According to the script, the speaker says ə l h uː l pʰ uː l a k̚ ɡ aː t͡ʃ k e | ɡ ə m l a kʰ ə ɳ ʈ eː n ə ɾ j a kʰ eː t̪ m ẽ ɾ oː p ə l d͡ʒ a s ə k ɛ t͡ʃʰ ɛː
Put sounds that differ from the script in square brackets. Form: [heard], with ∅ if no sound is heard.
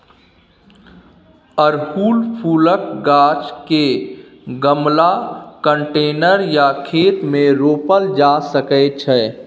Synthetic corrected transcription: ə [ɾ] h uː l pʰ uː l [ə] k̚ ɡ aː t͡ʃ k e | ɡ ə m l a [k] ə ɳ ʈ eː n ə ɾ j a kʰ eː t̪ m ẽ ɾ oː p ə l d͡ʒ a s ə k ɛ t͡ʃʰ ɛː